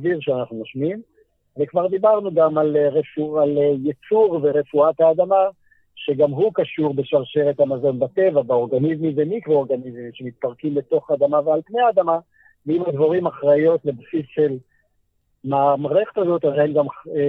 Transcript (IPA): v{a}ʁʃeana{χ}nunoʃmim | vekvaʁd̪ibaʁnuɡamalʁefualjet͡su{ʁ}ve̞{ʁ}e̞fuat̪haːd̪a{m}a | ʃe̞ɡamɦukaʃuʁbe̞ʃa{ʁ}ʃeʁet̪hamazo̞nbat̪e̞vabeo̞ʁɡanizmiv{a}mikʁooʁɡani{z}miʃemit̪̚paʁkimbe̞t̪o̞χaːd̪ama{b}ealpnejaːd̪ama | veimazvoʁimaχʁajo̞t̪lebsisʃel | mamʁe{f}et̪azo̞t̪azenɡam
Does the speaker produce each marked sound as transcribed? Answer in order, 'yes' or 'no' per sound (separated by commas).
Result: no, yes, yes, yes, yes, yes, no, yes, no, no